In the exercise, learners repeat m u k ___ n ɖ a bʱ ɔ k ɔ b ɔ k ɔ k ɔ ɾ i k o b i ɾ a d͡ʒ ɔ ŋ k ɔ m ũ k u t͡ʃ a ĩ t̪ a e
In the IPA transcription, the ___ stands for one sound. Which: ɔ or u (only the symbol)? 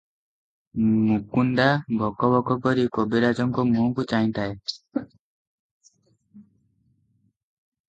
u